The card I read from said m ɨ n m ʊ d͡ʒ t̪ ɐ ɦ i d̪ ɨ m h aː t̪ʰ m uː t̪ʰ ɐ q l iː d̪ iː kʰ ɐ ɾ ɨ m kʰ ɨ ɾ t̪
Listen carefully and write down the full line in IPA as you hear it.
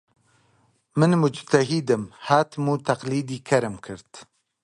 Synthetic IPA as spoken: m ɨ n m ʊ d͡ʒ t̪ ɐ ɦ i d̪ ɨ m h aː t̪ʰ m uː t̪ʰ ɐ q l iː d̪ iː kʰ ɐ ɾ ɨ m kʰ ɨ ɾ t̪